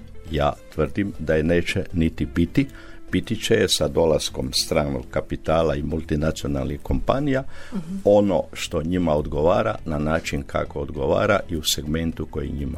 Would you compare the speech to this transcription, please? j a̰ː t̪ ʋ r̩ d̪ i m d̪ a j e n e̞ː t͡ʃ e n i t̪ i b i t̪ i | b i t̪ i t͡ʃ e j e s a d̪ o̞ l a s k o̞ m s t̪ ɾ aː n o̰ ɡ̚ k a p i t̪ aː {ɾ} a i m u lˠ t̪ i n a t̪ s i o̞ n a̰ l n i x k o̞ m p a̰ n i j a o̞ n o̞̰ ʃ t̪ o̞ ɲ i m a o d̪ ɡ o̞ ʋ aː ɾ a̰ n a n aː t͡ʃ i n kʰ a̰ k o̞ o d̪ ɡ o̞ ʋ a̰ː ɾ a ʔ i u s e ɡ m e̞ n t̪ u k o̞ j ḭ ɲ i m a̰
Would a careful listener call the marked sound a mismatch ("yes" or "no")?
yes